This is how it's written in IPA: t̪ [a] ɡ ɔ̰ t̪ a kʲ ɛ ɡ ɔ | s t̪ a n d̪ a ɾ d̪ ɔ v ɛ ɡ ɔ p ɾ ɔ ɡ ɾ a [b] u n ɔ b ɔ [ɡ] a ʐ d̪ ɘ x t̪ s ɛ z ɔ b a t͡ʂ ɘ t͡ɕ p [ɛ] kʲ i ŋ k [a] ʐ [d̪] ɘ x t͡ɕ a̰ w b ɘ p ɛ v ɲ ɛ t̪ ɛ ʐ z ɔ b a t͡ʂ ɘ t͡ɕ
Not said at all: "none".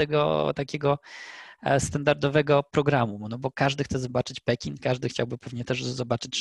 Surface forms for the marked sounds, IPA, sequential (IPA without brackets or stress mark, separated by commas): ɛ, m, k, ɛ, a, d̪